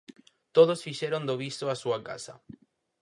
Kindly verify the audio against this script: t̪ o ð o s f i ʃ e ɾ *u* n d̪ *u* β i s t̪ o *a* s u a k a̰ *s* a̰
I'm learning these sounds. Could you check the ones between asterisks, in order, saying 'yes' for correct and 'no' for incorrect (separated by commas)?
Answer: no, no, yes, yes